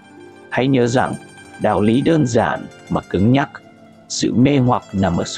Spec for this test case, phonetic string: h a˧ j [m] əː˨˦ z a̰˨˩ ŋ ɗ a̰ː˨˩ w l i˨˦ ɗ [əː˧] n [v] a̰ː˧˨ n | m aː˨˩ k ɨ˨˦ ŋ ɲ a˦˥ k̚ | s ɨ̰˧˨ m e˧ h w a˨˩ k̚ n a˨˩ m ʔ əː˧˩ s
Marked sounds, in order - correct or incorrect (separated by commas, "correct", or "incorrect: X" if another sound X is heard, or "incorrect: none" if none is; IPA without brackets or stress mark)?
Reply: incorrect: ɲ, correct, incorrect: z